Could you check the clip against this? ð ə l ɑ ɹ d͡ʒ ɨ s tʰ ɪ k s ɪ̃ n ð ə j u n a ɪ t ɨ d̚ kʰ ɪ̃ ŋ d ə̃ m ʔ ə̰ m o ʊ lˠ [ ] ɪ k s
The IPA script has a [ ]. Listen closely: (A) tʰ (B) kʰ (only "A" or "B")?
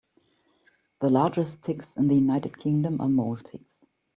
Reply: A